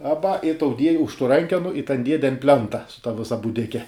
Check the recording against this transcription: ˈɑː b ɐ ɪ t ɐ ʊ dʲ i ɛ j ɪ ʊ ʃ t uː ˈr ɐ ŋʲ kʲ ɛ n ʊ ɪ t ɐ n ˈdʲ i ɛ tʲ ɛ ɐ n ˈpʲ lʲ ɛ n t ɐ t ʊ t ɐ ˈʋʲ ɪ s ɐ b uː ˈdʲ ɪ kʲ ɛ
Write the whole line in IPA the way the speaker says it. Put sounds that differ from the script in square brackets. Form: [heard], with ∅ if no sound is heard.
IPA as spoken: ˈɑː b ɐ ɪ t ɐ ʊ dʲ i ɛ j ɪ ʊ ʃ t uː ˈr ɐ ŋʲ kʲ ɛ n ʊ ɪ t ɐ n ˈdʲ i ɛ [dʲ] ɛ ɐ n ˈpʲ lʲ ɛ n t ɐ [s] ʊ t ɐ ˈʋʲ ɪ s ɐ b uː ˈdʲ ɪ kʲ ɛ